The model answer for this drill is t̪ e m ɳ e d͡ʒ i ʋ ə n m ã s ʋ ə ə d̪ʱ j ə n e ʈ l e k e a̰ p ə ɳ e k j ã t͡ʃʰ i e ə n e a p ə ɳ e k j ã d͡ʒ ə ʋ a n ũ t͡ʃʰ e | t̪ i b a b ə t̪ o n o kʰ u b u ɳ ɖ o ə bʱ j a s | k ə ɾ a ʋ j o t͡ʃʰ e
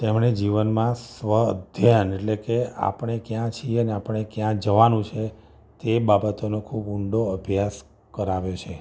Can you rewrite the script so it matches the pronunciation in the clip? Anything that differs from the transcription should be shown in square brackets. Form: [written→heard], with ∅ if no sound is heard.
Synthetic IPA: t̪ e m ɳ e d͡ʒ i ʋ ə n m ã s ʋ ə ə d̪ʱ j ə n e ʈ l e k e a̰ p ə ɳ e k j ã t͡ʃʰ i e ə n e a p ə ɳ e k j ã d͡ʒ ə ʋ a n ũ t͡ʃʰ e | t̪ [i→e] b a b ə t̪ o n o kʰ u b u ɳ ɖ o ə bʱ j a s | k ə ɾ a ʋ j o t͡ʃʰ e

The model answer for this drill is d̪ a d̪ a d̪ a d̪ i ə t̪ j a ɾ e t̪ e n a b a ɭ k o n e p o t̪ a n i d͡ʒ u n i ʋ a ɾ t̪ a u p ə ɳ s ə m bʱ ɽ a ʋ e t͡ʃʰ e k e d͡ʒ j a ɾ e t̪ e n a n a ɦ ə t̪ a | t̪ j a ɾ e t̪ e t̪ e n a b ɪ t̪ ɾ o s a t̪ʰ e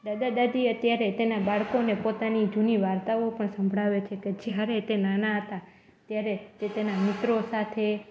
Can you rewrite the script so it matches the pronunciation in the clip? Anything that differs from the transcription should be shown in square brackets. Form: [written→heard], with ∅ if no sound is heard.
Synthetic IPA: d̪ a d̪ a d̪ a d̪ i ə t̪ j a ɾ e t̪ e n a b a ɭ k o n e p o t̪ a n i d͡ʒ u n i ʋ a ɾ t̪ a [u→o] p ə ɳ s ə m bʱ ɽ a ʋ e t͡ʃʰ e k e d͡ʒ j a ɾ e t̪ e n a n a ɦ ə t̪ a | t̪ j a ɾ e t̪ e t̪ e n a [b→m] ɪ t̪ ɾ o s a t̪ʰ e

